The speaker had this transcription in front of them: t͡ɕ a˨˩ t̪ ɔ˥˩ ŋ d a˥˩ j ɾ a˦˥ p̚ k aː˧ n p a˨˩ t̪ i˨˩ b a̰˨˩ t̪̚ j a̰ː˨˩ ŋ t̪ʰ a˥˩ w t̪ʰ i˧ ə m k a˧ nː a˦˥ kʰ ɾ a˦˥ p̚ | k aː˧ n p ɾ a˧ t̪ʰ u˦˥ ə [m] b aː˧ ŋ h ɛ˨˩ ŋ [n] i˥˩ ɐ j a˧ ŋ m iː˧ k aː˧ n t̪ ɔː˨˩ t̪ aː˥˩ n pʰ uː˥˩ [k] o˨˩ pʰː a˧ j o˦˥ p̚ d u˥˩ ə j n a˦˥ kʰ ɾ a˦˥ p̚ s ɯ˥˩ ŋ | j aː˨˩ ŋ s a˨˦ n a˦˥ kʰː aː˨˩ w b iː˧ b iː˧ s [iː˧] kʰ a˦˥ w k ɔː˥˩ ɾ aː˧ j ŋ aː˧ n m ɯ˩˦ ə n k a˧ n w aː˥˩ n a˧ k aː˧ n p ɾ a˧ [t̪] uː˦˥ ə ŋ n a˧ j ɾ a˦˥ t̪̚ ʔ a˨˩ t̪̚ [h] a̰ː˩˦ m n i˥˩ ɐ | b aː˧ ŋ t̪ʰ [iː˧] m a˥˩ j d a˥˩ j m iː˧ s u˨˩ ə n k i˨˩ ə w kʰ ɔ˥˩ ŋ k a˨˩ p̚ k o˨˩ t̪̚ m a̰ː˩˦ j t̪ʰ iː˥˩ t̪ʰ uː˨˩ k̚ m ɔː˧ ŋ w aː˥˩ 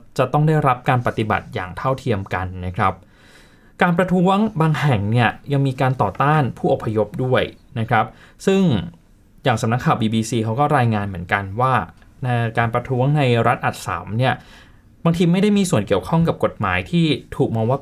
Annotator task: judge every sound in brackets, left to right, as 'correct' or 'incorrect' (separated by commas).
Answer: incorrect, correct, incorrect, correct, incorrect, incorrect, correct